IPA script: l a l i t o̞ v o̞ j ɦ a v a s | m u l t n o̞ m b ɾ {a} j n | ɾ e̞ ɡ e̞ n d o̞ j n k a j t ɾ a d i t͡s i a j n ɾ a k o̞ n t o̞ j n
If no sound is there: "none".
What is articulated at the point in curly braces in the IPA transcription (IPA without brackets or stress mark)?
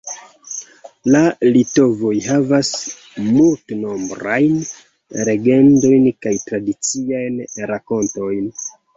a